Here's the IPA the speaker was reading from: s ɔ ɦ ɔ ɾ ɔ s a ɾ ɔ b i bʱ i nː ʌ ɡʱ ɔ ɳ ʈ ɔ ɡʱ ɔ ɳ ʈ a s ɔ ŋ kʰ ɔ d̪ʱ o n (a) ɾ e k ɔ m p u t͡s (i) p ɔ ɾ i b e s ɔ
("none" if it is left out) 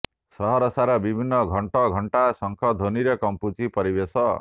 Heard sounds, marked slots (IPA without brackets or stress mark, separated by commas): i, i